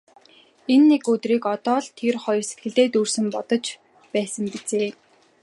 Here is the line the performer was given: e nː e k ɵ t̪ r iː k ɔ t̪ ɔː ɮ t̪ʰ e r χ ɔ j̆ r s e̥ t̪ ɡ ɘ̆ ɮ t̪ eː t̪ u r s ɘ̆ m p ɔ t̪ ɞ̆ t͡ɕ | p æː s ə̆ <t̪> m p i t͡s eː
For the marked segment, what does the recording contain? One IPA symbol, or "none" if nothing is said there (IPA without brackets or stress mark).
none